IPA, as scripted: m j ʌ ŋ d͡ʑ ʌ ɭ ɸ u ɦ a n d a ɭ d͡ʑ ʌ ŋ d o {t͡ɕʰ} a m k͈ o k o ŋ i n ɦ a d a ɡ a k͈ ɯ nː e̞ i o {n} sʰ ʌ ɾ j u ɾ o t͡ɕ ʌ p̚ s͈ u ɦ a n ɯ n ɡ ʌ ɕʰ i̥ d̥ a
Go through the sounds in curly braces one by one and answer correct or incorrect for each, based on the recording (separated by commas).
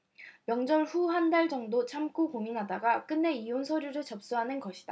correct, correct